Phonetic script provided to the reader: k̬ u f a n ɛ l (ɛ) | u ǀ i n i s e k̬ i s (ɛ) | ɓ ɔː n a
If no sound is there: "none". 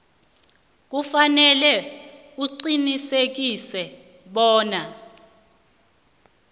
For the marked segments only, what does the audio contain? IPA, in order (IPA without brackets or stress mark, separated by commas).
ɛ, ɛ